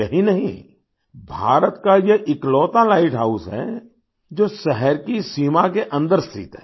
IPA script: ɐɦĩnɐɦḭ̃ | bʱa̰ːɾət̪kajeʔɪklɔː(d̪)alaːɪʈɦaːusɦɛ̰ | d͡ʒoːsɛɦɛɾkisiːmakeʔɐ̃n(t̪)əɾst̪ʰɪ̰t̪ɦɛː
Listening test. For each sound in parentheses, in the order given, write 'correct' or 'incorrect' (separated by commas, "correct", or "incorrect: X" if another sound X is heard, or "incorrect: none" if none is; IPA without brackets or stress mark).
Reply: incorrect: t̪, incorrect: d̪